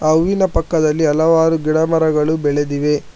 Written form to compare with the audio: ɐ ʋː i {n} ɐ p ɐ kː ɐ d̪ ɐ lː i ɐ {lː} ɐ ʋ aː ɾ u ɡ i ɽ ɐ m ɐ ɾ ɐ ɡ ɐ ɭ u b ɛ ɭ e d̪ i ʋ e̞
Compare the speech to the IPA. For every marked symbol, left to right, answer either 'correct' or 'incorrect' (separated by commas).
correct, incorrect